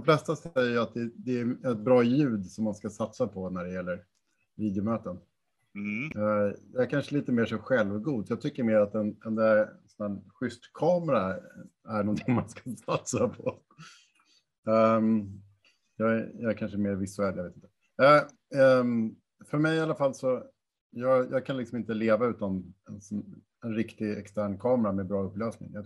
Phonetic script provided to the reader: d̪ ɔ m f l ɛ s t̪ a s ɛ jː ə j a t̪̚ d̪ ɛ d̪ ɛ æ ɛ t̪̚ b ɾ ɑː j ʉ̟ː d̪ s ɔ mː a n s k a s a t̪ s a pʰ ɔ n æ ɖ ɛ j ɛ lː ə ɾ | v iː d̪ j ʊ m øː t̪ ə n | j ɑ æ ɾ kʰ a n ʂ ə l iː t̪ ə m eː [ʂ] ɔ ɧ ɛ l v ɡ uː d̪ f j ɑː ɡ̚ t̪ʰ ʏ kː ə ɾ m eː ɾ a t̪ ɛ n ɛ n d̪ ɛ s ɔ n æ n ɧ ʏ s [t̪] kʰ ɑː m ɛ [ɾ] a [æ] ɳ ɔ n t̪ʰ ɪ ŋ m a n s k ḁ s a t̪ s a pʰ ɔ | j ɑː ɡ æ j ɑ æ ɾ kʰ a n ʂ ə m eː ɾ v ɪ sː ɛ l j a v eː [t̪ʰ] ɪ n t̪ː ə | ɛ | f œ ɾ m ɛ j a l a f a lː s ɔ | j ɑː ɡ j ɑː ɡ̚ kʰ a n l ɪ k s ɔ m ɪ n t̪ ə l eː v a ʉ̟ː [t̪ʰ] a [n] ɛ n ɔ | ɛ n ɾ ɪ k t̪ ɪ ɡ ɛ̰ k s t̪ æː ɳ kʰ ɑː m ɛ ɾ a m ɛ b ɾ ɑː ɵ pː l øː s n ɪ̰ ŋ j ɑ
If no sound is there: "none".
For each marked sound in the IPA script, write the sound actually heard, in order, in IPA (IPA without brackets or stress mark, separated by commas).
ʂ, t̪, ɾ, æ, t̪, t̪, n